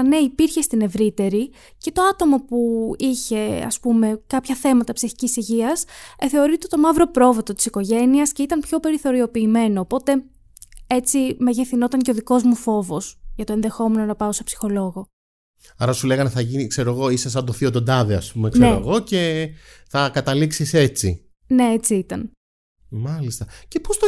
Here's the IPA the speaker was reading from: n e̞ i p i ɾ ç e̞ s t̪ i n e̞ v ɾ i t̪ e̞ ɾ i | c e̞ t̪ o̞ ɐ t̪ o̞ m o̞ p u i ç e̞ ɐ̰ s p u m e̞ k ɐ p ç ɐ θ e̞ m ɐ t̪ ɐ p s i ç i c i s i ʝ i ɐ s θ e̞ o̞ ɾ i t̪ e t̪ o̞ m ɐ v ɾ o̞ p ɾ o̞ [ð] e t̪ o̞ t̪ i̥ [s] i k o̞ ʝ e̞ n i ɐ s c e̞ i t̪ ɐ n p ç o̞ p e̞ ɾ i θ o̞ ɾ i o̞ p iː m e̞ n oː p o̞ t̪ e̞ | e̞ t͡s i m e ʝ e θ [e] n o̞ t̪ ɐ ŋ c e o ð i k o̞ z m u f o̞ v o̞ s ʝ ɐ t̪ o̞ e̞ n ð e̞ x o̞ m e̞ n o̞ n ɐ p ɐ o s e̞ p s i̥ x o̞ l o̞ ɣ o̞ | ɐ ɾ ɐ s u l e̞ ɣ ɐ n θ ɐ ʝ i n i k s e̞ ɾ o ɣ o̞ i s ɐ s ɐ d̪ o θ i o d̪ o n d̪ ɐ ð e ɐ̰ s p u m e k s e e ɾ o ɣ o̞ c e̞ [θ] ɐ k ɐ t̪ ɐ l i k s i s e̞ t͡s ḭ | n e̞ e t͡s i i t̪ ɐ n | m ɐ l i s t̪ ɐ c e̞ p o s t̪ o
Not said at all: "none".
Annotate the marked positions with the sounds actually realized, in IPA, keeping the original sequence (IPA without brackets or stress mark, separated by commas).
v, s, i, θ